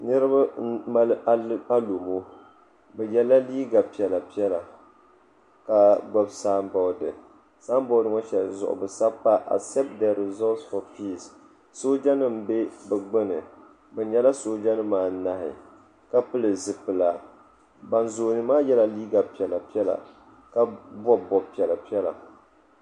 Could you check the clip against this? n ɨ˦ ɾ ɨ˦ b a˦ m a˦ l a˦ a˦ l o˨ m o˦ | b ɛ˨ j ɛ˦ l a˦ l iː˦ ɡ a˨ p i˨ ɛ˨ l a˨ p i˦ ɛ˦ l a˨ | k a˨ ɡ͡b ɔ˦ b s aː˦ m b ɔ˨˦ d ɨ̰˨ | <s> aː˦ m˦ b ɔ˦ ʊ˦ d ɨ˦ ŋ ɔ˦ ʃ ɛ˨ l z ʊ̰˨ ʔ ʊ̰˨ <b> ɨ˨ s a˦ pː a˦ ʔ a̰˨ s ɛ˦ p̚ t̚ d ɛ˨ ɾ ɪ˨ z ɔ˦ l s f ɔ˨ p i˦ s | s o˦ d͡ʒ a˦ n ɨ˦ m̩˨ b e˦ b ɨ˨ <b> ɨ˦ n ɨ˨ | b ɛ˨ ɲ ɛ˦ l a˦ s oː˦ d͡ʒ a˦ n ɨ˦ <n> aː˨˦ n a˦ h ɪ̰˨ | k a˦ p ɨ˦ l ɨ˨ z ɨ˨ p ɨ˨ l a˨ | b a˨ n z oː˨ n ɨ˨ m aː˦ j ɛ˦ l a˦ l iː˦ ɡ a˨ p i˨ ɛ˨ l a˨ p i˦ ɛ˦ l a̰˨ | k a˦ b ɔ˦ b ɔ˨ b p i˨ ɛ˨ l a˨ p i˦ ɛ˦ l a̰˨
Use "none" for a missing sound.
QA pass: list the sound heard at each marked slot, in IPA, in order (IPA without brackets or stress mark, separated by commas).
s, b, ɡ͡b, m